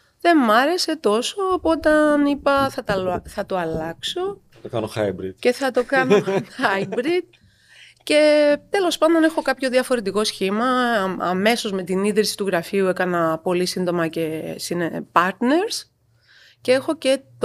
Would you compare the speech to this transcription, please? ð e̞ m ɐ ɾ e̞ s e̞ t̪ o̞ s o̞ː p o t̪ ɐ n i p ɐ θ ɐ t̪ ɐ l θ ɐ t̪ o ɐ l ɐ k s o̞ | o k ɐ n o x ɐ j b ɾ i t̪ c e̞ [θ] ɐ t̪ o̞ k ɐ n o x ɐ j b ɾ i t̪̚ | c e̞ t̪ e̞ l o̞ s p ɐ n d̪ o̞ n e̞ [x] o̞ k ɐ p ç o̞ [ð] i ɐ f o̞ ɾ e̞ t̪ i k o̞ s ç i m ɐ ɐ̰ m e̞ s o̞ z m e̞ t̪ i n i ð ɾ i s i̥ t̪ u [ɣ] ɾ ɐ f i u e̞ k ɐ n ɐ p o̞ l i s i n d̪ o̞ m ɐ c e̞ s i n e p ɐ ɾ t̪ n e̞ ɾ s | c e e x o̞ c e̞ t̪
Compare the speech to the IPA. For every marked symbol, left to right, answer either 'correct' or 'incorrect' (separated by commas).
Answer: correct, correct, correct, correct